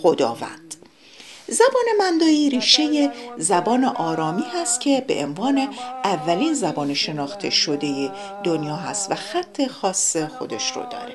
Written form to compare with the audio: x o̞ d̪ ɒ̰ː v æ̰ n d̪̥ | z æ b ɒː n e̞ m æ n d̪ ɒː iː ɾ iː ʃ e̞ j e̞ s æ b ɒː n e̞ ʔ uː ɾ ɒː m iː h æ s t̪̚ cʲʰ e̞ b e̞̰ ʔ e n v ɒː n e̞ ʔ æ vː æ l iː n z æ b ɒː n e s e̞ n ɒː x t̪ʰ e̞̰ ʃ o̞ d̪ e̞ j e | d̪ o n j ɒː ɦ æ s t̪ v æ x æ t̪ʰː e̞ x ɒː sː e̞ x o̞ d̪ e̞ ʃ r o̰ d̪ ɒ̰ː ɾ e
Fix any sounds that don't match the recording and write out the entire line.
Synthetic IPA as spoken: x o̞ d̪ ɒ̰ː v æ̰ n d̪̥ | z æ b ɒː n e̞ m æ n d̪ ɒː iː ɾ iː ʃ e̞ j e̞ z æ b ɒː n e̞ ʔ ɒː ɾ ɒː m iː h æ s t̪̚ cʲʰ e̞ b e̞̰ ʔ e n v ɒː n e̞ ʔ æ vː æ l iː n z æ b ɒː n e ʃ e̞ n ɒː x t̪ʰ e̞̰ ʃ o̞ d̪ e̞ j e | d̪ o n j ɒː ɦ æ s t̪ v æ x æ t̪ʰː e̞ x ɒː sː e̞ x o̞ d̪ e̞ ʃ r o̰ d̪ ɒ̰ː ɾ e